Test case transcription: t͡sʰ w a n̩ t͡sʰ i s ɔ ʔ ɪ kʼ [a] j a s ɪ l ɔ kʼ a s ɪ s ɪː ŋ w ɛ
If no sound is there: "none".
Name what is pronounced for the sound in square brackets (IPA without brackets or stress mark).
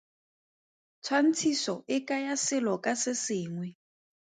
a